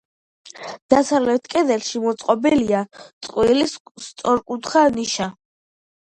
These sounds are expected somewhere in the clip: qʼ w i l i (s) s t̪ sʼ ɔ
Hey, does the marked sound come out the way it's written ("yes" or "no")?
yes